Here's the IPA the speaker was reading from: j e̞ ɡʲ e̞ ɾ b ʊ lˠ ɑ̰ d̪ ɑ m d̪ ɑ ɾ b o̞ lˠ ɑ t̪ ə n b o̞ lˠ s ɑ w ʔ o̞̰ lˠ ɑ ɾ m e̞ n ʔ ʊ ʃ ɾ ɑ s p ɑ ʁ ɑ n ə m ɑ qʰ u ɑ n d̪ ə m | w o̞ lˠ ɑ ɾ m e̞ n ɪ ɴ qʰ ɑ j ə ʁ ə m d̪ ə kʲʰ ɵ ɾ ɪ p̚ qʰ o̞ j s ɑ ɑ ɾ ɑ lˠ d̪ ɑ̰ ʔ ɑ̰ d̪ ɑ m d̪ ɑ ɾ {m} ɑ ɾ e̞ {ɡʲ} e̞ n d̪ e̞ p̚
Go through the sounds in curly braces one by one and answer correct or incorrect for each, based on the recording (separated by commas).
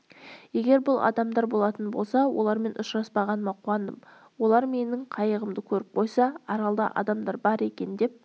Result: incorrect, incorrect